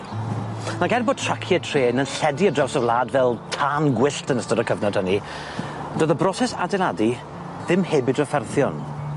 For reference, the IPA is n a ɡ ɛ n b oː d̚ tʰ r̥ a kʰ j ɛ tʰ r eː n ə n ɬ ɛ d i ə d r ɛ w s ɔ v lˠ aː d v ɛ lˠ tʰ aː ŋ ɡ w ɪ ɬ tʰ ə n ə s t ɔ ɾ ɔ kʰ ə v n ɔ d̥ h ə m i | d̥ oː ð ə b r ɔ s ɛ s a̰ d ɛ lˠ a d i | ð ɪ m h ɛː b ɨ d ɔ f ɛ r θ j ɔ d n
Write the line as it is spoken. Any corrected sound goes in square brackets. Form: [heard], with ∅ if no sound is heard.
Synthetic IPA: n a ɡ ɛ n b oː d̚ tʰ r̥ a kʰ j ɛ tʰ r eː n ə n ɬ ɛ d i ə d r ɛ w s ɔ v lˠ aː d v ɛ lˠ tʰ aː [n] ɡ w ɪ ɬ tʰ ə n ə s t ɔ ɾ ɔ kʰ ə v n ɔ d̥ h ə [n] i | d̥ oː ð ə b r ɔ s ɛ s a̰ d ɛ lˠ a d i | ð ɪ m h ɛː b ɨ d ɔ f ɛ r θ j ɔ [∅] n